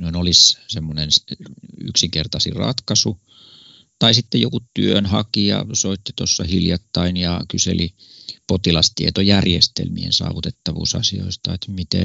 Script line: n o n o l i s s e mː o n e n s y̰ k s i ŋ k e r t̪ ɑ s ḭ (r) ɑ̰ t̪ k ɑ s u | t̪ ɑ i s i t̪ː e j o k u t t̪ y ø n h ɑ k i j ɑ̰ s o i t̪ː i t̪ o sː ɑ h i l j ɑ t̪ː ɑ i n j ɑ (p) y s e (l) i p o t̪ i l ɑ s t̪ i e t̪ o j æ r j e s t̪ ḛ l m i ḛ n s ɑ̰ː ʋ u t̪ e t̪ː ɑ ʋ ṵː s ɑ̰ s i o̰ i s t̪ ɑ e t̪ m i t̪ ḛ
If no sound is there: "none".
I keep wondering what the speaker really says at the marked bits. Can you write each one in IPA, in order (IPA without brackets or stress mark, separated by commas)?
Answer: r, k, l